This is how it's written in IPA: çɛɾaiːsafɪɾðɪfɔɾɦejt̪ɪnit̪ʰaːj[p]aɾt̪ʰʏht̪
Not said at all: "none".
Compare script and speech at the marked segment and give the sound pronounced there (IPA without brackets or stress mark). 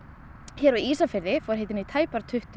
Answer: p